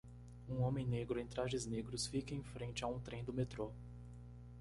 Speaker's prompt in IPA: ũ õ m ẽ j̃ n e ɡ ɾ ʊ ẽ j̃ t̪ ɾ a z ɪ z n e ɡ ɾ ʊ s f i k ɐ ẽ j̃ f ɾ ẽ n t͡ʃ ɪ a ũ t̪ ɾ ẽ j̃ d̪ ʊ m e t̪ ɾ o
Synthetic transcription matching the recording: ũ õ m ẽ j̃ n e ɡ ɾ ʊ ẽ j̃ t̪ ɾ a ʒ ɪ z n e ɡ ɾ ʊ s f i k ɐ ẽ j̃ f ɾ ẽ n t͡ʃ ɪ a ũ t̪ ɾ ẽ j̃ d̪ ʊ m e t̪ ɾ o